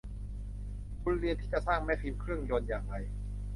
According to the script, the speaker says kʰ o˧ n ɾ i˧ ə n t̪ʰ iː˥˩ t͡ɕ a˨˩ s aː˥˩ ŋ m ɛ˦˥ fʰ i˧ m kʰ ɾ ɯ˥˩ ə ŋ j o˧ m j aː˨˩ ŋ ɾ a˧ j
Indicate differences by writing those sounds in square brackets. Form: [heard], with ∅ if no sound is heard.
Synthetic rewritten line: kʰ [u˧] n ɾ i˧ ə n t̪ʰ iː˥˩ t͡ɕ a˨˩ s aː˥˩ ŋ m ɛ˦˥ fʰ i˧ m kʰ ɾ ɯ˥˩ ə ŋ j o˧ [n] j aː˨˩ ŋ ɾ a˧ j